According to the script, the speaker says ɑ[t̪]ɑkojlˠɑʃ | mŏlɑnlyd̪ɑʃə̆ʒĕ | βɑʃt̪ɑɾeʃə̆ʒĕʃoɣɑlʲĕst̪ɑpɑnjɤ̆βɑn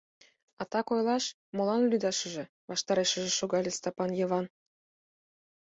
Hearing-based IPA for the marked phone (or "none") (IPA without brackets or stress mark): t̪